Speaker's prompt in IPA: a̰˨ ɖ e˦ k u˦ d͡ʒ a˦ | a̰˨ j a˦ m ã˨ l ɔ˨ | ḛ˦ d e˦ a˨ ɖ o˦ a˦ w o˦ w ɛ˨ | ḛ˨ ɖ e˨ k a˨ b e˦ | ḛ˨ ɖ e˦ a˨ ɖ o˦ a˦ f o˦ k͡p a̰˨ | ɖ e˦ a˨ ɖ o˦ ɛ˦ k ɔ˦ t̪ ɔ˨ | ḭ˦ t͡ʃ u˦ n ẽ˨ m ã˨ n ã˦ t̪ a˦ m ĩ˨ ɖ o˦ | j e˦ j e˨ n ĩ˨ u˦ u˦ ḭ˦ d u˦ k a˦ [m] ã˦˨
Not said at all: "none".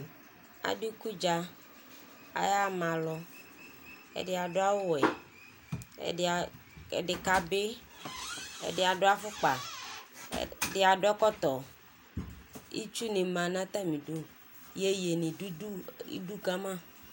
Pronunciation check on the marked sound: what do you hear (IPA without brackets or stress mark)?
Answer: m